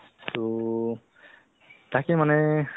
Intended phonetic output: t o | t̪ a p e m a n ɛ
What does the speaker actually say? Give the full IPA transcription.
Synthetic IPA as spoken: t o | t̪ a k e m a n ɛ